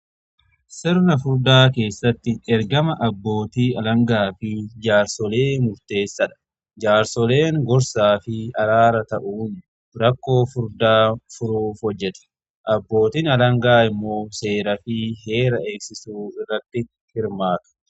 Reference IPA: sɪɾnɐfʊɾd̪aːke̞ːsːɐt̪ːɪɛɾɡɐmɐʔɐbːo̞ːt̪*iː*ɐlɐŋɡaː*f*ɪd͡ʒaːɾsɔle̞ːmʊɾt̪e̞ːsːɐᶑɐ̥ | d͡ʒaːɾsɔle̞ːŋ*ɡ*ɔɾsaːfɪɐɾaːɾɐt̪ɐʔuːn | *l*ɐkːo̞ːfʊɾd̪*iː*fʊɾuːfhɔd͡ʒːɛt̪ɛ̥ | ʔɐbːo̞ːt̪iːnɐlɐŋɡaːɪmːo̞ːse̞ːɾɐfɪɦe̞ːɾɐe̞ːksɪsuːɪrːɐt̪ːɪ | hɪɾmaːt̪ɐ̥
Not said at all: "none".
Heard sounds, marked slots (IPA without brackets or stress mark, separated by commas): iː, f, ɡ, ɾ, aː